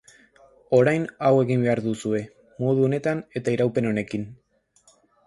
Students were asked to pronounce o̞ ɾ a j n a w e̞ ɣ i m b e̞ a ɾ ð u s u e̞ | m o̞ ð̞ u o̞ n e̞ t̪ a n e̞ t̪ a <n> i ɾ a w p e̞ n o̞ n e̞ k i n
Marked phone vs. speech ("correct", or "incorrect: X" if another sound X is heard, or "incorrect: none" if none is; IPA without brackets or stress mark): incorrect: none